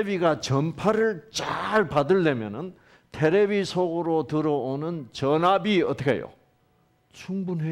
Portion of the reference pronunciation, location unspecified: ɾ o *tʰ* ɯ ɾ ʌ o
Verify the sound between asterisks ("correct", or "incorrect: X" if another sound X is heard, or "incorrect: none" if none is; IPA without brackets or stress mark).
incorrect: t